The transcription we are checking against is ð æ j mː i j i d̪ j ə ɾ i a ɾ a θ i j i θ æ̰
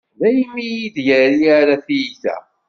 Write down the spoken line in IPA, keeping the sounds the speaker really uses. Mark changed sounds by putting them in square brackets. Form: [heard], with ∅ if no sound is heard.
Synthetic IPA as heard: ð æ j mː i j i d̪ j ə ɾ i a ɾ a θ i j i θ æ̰